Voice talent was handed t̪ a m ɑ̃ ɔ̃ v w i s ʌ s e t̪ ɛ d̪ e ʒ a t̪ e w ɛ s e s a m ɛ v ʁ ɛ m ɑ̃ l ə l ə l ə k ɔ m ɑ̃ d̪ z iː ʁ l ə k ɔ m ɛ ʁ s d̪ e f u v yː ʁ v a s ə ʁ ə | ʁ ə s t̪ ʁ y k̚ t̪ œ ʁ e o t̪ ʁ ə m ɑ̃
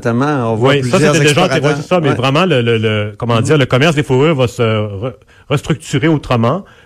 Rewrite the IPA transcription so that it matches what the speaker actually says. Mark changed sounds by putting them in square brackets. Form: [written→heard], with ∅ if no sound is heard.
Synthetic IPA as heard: t̪ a m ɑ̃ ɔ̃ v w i s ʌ s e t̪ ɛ d̪ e ʒ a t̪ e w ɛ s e s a m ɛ v ʁ ɛ m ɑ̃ l ə l ə l ə k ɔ m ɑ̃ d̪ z iː ʁ l ə k ɔ m ɛ ʁ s d̪ e f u [v→ʁ] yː ʁ v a s ə ʁ ə | ʁ ə s t̪ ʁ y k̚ t̪ [œ→y] ʁ e o t̪ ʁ ə m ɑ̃